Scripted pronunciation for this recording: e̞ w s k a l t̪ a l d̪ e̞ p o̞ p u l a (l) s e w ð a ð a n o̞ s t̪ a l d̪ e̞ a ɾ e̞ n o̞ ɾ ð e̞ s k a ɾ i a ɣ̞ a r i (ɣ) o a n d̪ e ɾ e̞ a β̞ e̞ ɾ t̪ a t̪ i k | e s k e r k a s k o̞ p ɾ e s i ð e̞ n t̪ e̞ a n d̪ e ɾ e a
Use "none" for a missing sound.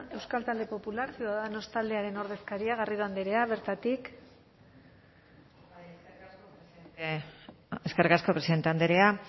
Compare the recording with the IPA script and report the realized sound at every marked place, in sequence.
ɾ, ð

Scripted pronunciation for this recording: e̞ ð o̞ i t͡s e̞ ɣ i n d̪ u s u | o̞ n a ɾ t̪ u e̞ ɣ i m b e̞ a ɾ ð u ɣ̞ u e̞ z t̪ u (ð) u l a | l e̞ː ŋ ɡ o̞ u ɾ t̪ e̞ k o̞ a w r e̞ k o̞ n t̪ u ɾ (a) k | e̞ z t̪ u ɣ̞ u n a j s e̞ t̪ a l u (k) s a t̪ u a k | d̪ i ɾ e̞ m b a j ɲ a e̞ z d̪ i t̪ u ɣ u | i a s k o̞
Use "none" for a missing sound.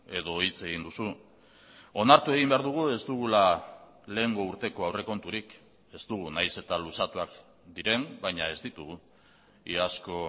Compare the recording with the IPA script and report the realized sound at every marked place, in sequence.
ɣ, i, none

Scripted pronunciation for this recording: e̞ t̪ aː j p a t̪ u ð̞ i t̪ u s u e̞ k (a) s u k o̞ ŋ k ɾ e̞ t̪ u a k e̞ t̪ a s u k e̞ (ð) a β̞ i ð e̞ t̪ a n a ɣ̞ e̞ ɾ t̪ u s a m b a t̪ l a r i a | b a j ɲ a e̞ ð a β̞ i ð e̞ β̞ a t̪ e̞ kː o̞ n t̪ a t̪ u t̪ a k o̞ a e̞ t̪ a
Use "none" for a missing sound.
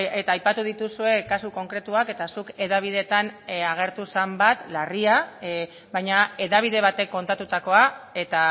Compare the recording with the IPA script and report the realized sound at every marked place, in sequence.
a, ð

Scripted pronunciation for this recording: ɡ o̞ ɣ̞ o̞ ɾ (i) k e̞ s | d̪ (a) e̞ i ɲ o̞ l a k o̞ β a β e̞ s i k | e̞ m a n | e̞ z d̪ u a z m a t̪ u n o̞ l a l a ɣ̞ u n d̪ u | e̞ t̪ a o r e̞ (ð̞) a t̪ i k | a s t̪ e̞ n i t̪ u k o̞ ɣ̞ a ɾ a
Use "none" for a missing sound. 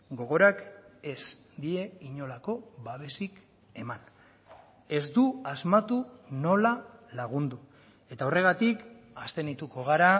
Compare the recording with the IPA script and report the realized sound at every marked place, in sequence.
a, i, ɣ̞

